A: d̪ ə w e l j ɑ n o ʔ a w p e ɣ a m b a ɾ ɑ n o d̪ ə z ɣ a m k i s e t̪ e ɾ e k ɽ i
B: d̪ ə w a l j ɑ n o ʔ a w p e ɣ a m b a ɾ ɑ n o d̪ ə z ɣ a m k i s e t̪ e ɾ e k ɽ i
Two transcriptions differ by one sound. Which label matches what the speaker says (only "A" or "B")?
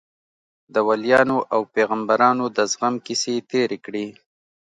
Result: B